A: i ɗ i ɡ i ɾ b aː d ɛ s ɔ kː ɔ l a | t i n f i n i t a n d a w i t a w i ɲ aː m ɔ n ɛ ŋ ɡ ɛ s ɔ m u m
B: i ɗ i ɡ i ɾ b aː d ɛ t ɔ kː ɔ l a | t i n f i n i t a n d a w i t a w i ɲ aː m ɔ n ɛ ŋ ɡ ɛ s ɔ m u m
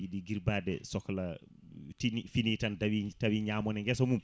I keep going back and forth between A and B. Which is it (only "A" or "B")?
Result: A